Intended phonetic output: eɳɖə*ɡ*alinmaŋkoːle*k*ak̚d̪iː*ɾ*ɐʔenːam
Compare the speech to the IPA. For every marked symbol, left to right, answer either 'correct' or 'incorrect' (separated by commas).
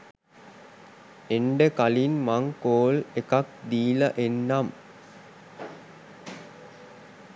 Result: incorrect, correct, incorrect